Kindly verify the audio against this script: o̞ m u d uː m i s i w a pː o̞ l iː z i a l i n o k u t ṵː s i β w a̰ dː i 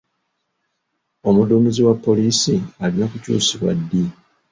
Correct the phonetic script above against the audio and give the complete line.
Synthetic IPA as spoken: o̞ m u d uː m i z i w a pː o̞ l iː s i a l i n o k u c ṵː s i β w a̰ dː i